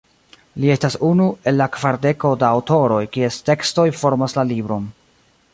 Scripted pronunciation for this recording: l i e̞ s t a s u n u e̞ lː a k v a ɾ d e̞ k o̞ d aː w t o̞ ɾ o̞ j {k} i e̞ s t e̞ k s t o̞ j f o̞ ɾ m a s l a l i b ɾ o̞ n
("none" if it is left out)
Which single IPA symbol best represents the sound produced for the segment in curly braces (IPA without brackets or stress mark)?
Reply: k